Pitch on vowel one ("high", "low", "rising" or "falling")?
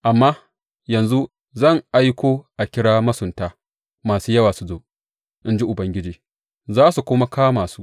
low